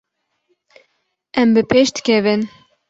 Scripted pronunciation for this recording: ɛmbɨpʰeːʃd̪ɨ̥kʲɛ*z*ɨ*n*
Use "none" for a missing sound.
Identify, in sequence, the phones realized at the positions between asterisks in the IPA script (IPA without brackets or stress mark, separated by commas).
v, n